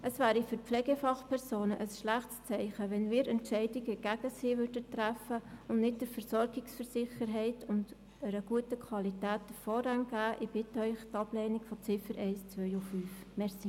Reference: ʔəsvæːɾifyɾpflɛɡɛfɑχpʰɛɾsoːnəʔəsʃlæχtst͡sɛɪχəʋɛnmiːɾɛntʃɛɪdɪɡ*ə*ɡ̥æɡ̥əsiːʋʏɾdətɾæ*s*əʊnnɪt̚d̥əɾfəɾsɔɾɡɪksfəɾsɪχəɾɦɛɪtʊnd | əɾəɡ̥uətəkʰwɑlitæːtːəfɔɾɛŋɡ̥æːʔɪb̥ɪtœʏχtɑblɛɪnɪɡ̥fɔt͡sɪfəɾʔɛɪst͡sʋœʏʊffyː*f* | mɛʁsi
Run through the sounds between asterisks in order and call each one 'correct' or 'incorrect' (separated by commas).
correct, incorrect, correct